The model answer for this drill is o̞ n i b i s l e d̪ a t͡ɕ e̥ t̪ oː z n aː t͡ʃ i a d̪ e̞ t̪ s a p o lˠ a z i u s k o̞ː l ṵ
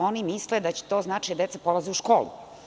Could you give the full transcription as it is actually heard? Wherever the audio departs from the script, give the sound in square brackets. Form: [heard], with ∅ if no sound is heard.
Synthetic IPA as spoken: o̞ n i [m] i s l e d̪ a t͡ɕ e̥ t̪ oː z n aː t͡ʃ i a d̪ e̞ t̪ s a p o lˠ a z i u [ʃ] k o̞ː l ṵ

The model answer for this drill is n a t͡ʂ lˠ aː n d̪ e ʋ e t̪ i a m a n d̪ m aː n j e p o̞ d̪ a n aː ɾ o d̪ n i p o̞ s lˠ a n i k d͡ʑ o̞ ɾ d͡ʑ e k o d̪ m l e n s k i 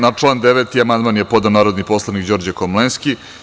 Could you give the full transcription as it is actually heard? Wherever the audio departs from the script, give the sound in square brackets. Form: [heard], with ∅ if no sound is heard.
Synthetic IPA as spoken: n a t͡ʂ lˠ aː n d̪ e ʋ e t̪ i a m a n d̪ m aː n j e p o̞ d̪ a n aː ɾ o d̪ n i p o̞ s lˠ a n i k d͡ʑ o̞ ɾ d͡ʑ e k o [∅] m l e n s k i

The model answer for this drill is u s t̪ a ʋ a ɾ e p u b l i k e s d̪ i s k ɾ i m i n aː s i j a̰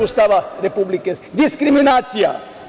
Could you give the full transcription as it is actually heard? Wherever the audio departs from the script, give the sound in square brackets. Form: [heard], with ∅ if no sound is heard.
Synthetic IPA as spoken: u s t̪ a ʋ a ɾ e p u b l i k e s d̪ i s k ɾ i m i n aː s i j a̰

